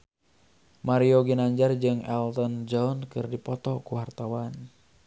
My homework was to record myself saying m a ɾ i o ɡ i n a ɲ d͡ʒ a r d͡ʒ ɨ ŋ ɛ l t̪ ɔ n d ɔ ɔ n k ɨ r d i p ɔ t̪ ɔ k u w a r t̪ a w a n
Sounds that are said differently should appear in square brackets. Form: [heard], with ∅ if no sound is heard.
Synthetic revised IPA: m a ɾ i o ɡ i n a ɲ d͡ʒ a r d͡ʒ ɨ ŋ ɛ l t̪ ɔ n [d͡ʒ] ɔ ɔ n k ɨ r d i p ɔ t̪ ɔ k u w a r t̪ a w a n